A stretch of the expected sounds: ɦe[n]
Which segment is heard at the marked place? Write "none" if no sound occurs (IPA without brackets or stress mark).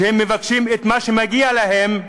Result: m